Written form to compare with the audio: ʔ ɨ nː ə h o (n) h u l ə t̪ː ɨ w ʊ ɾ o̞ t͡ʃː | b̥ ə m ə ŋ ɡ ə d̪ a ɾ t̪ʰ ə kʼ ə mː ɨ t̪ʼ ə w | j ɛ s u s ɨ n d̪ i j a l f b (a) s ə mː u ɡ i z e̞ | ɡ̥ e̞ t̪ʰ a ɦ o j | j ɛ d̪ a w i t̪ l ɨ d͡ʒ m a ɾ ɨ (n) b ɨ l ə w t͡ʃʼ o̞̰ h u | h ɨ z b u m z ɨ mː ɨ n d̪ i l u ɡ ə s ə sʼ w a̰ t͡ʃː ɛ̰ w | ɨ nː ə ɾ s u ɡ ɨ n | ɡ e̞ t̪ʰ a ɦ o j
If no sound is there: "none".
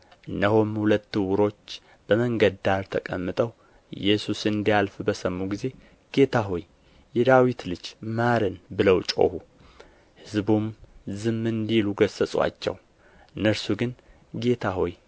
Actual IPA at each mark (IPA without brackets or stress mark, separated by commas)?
m, ə, n